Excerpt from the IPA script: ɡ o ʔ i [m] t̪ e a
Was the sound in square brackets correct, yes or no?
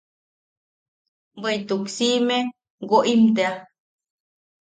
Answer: yes